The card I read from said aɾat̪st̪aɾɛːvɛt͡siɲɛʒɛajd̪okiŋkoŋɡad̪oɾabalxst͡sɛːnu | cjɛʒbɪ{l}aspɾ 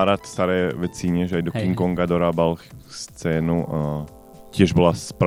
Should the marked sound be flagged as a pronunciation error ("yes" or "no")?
no